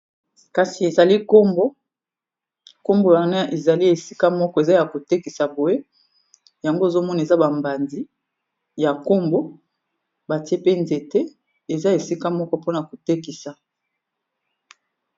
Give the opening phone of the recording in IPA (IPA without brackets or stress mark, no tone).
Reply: k